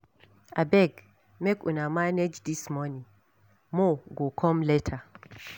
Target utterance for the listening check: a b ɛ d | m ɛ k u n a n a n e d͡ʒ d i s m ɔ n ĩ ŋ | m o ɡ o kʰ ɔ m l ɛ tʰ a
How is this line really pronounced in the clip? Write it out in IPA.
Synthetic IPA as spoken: a b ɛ ɡ | m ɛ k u n a m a n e d͡ʒ d i s m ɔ n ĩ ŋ | m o ɡ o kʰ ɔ m l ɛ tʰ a